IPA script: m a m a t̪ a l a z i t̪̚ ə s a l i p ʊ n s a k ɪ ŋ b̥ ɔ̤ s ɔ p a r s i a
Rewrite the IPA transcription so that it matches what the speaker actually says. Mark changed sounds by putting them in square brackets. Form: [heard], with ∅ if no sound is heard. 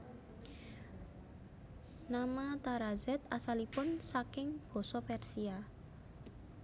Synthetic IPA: [n] a m a t̪ a [ɾ] a z [ɛ] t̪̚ [a] s a l i p ʊ n s a k ɪ ŋ b̥ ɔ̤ s ɔ p [ɛ] r s i a